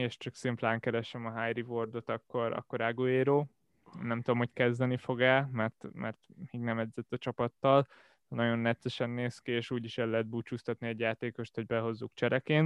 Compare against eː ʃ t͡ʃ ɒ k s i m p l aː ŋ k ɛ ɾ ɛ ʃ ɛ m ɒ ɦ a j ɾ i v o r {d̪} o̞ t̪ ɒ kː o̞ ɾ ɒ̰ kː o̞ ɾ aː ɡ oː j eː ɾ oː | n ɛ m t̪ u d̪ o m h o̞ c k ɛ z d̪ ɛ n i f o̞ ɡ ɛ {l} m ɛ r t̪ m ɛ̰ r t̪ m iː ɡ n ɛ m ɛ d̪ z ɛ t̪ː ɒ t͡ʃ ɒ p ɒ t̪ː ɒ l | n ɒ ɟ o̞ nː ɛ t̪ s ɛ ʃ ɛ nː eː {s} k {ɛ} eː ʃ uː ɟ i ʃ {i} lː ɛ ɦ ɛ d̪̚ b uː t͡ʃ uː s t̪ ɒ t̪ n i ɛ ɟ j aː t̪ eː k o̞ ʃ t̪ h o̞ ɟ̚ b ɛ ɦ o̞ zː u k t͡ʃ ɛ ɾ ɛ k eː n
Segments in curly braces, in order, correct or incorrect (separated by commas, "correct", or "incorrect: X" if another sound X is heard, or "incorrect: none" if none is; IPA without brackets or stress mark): correct, correct, correct, incorrect: i, incorrect: ɛ